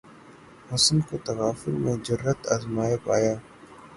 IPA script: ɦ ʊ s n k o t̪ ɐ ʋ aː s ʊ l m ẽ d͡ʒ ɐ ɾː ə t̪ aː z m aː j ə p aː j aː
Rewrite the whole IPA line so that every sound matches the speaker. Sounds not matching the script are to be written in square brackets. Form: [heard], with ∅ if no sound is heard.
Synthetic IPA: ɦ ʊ s n k o t̪ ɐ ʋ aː [f] ʊ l m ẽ d͡ʒ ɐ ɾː ə t̪ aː z m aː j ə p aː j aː